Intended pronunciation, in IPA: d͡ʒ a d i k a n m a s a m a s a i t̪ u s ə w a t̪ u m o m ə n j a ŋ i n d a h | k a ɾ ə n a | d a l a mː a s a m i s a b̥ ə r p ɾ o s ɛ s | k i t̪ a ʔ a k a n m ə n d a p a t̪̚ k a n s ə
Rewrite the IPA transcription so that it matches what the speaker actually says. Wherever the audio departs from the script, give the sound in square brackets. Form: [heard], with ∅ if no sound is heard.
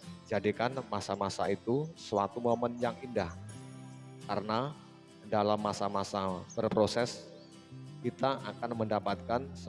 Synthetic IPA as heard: d͡ʒ a d i k a n m a s a m a s a i t̪ u s ə w a t̪ u m o m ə n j a ŋ i n d a h | k a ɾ ə n a | d a l a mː a s a m [a] s a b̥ ə r p ɾ o s ɛ s | k i t̪ a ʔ a k a n m ə n d a p a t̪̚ k a n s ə